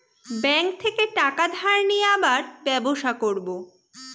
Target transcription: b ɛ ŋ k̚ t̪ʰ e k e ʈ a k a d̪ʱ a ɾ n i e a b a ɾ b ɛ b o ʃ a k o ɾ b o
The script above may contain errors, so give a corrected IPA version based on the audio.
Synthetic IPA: b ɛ ŋ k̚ t̪ʰ e k e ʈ a k a d̪ʱ a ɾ n i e a b a ɾ b ɛ b o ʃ a k o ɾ b o